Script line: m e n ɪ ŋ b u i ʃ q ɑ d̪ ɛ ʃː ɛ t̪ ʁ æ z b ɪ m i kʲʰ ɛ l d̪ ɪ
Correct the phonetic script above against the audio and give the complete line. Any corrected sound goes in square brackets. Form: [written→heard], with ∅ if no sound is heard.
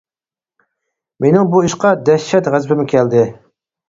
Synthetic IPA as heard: m e n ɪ ŋ b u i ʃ q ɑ d̪ ɛ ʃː ɛ t̪ ʁ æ z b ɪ m [i→ɪ] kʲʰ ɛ l d̪ ɪ